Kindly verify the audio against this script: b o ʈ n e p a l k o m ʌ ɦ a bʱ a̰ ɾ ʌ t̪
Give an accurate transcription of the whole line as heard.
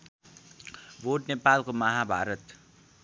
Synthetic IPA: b o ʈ n e p a l k o m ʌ ɦ a bʱ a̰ ɾ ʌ t̪